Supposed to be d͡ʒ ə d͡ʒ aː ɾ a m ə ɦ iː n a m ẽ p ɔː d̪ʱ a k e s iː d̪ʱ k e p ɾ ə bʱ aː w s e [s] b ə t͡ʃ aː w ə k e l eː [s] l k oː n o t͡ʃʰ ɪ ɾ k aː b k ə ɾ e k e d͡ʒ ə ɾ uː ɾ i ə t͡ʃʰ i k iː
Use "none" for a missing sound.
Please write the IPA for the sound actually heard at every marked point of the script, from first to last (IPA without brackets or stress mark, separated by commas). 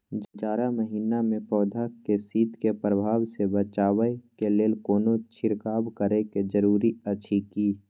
none, none